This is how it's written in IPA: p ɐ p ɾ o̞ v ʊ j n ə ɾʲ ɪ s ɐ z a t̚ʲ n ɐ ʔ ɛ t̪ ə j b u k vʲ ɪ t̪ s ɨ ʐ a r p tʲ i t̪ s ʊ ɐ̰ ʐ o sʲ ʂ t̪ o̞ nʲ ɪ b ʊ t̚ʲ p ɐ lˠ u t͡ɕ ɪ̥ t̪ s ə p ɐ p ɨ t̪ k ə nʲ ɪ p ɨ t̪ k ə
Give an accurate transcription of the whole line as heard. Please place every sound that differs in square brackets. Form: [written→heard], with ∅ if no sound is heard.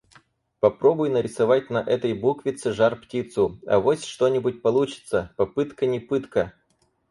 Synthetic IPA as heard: p ɐ p ɾ o̞ [v→b] ʊ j n ə ɾʲ ɪ s ɐ [z→v] a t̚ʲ n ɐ ʔ ɛ t̪ ə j b u k vʲ ɪ t̪ s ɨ ʐ a r p tʲ i t̪ s ʊ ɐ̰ [ʐ→v] o sʲ ʂ t̪ o̞ nʲ ɪ b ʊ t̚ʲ p ɐ lˠ u t͡ɕ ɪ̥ t̪ s ə p ɐ p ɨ t̪ k ə nʲ ɪ p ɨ t̪ k ə